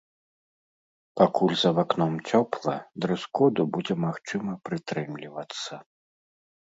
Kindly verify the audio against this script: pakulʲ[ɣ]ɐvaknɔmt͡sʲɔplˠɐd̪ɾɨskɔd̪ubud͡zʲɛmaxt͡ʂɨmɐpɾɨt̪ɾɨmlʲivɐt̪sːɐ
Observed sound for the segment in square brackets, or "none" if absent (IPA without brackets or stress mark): z